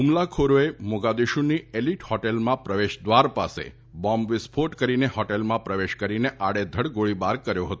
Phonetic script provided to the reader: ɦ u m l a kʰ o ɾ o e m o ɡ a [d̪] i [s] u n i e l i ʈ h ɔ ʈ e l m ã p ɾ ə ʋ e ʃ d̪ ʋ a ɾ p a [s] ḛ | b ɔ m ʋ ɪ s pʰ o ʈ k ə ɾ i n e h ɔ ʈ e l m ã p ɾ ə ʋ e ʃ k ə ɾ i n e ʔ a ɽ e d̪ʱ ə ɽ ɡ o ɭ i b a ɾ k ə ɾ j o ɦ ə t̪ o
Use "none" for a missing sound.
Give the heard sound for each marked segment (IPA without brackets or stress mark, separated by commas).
d̪, ʃ, s